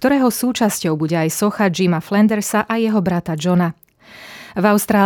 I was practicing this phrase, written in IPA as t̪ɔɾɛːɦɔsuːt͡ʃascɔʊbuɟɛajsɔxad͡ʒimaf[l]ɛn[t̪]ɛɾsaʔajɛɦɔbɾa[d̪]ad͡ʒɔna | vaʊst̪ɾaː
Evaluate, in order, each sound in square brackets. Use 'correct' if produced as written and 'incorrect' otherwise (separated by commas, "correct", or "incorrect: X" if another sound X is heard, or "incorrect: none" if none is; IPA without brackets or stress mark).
correct, incorrect: d̪, incorrect: t̪